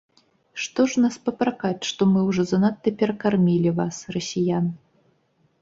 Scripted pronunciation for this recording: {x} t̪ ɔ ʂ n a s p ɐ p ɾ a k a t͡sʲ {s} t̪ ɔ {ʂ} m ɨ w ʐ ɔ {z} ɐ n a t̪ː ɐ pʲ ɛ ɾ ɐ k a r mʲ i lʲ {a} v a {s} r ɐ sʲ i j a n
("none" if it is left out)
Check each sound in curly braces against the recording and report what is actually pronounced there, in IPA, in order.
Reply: ʂ, ʂ, none, z, i, s

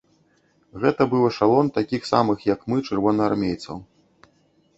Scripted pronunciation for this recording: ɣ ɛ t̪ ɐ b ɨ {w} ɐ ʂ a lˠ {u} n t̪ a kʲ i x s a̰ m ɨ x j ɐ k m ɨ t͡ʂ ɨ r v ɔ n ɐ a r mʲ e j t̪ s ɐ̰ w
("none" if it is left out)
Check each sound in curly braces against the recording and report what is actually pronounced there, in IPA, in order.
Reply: w, ɔ

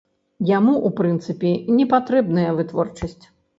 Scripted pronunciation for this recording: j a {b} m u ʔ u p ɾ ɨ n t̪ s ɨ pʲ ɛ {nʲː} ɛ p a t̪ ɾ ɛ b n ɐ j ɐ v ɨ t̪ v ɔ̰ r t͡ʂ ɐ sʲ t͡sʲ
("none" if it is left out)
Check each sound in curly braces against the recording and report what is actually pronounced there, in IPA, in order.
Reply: none, nʲ

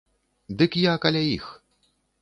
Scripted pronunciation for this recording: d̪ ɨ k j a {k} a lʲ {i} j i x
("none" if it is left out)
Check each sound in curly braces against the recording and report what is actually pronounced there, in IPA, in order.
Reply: k, a

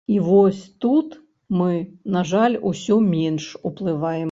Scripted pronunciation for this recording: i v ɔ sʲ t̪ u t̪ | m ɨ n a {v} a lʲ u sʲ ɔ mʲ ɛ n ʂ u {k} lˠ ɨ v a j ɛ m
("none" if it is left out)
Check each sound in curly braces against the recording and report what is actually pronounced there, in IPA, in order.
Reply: ʐ, p

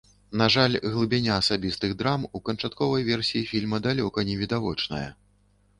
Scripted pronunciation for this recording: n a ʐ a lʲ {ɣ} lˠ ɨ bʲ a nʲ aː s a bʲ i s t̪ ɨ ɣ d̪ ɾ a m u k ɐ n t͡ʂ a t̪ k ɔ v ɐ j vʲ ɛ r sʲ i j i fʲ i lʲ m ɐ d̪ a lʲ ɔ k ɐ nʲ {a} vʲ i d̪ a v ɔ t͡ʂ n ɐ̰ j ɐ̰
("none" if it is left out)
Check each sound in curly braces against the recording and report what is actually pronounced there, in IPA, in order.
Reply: ɣ, ɛ

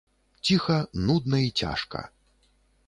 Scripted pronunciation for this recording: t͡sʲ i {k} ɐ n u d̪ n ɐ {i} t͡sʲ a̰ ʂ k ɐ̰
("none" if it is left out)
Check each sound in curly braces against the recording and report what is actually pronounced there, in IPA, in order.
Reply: x, i

